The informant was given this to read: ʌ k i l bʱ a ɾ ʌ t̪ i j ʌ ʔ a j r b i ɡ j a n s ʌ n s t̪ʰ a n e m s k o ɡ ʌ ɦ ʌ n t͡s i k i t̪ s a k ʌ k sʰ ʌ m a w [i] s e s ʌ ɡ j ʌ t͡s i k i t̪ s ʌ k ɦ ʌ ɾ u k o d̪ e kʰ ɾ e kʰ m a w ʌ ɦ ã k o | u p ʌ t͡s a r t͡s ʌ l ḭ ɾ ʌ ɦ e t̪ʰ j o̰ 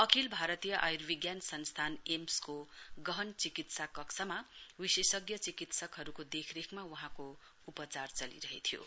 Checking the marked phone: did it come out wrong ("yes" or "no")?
no